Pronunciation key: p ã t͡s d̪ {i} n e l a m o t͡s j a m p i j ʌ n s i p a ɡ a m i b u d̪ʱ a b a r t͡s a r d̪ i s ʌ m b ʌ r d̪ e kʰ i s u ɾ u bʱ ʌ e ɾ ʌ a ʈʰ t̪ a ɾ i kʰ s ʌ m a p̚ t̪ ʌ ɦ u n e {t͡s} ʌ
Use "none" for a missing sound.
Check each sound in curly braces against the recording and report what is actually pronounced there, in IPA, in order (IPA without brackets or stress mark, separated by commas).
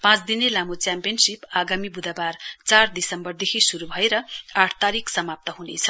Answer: i, t͡sʰ